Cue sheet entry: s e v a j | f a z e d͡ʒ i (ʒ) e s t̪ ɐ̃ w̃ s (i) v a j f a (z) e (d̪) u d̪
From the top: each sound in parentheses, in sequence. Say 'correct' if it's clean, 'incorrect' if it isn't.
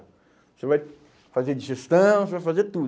correct, incorrect, correct, incorrect

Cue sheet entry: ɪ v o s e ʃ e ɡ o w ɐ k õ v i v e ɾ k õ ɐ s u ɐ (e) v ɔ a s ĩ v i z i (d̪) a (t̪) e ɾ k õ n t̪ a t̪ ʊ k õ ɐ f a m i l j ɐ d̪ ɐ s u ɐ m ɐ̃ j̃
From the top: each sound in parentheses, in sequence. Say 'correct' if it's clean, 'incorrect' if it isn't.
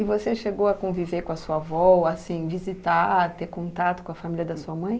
incorrect, incorrect, correct

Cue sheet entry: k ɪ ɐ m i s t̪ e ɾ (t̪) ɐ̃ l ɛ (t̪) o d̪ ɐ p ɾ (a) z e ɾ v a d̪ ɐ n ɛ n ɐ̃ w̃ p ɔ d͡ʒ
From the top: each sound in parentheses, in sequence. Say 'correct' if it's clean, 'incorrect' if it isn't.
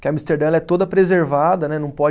incorrect, correct, incorrect

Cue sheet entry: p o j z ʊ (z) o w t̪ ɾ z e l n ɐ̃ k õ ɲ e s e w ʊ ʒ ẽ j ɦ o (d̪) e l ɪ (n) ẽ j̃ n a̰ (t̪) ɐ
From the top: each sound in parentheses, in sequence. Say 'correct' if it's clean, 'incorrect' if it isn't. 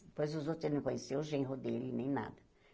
correct, correct, correct, incorrect

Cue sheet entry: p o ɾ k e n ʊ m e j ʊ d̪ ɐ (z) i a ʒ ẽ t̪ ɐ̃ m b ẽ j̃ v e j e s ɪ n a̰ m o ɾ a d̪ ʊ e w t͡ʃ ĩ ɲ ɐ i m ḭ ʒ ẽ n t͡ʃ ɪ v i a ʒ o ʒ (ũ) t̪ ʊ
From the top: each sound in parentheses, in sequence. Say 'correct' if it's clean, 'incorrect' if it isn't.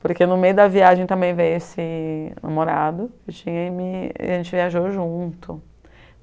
incorrect, correct

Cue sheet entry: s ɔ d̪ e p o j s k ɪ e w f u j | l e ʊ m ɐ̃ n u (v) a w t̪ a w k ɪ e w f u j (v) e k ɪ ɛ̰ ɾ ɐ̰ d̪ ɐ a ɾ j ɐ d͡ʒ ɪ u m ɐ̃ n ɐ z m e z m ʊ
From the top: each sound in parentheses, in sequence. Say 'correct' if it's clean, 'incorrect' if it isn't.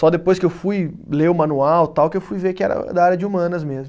incorrect, correct

